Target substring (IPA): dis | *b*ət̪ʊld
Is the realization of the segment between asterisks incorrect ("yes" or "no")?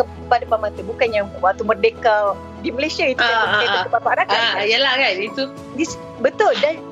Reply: no